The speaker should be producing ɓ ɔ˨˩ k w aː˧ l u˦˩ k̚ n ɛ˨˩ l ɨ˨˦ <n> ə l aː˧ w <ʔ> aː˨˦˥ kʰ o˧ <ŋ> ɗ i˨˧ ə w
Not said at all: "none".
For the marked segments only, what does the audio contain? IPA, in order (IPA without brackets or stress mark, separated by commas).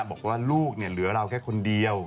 none, k, n